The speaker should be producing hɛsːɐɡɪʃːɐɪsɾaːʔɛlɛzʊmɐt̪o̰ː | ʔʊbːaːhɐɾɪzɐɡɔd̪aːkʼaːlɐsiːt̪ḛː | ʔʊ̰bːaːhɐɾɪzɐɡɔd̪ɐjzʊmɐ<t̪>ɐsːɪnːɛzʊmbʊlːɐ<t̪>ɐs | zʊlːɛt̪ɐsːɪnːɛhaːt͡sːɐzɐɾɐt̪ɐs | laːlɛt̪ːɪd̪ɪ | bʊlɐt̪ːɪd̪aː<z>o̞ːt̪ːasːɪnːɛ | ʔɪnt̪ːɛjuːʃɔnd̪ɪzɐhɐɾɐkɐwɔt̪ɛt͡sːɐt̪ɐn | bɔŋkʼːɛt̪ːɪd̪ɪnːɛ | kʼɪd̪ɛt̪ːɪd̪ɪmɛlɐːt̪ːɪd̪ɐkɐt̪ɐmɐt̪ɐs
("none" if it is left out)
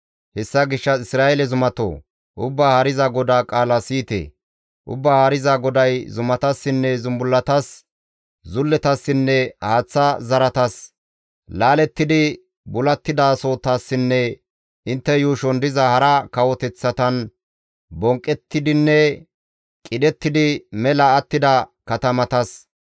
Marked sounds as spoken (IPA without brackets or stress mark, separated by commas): t̪, t̪, s